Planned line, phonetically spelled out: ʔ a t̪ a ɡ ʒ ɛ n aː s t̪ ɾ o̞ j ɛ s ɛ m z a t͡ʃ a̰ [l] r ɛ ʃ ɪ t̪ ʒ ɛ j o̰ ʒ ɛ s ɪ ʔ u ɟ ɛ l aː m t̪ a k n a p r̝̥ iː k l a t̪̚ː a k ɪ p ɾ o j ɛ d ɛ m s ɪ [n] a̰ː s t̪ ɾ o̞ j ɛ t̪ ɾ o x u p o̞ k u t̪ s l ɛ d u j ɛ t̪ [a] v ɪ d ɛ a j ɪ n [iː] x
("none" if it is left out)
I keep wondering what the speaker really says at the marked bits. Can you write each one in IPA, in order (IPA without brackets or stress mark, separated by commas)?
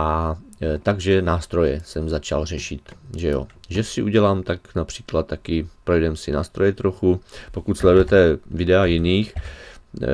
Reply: l, n, ɛ, iː